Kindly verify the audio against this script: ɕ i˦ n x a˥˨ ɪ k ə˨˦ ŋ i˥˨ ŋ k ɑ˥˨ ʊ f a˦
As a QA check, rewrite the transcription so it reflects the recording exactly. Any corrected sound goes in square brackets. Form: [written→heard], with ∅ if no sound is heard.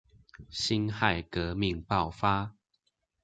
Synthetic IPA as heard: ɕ i˦ n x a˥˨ ɪ k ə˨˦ [ŋ→m] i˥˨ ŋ [k→p] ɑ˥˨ ʊ f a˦